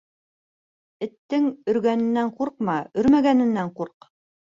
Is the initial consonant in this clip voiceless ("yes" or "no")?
yes